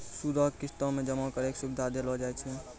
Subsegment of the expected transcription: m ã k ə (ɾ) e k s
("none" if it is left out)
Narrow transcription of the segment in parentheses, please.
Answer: ɾ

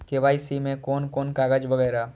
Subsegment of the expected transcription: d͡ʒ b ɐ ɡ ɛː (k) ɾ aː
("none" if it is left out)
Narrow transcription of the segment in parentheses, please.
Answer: none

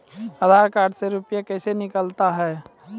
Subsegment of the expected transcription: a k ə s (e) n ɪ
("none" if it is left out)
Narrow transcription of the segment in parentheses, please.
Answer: e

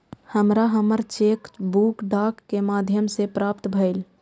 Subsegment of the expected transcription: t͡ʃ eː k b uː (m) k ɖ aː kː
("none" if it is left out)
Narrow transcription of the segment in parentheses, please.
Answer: none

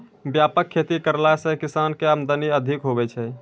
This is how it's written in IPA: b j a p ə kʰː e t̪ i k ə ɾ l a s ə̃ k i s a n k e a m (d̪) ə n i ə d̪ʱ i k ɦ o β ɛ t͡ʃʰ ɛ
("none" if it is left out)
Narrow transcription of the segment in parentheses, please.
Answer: d̪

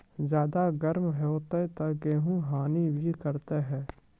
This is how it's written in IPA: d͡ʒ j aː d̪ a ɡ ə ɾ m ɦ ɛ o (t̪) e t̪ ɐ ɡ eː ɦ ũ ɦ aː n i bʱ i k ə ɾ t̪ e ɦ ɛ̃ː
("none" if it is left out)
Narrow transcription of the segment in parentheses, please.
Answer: t̪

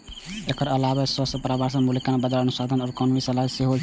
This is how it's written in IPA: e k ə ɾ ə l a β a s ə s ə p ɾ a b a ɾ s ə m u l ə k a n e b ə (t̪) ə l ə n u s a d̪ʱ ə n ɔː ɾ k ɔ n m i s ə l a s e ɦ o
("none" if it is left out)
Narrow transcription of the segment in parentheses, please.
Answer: d̪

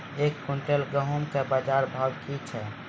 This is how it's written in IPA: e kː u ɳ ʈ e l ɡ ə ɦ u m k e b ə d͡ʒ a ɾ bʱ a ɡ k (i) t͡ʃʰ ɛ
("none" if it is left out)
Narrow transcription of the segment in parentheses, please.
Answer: i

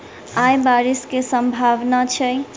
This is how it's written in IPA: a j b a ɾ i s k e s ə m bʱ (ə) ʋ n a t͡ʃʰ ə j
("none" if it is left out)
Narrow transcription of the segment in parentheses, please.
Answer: a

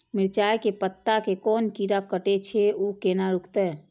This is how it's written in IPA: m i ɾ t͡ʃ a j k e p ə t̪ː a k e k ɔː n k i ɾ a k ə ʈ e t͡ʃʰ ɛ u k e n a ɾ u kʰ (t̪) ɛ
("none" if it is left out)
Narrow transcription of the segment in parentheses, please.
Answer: t̪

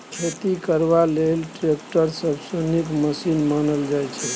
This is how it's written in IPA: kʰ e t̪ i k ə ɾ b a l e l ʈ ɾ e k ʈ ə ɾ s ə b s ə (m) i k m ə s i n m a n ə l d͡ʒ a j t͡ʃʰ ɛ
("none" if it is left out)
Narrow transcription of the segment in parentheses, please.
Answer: n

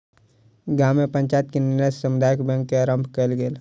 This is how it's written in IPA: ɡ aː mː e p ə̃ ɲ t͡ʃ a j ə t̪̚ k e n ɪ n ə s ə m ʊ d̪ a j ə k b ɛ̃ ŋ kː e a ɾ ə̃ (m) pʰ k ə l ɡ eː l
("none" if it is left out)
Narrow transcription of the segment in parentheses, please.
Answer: m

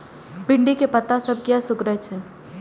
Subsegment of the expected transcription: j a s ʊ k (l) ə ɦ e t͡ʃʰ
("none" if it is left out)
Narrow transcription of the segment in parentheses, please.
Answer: ɾ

